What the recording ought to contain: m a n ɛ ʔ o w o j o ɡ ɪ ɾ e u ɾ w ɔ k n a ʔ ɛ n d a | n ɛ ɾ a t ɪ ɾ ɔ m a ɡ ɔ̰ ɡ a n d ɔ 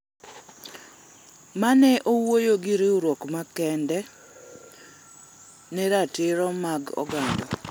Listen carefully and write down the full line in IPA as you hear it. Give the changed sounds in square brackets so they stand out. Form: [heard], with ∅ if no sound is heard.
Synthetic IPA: m a n ɛ ʔ o w o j o ɡ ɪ ɾ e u ɾ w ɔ k [m] a [k] ɛ n d [ɛ] | n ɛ ɾ a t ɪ ɾ ɔ m a ɡ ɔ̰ ɡ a n d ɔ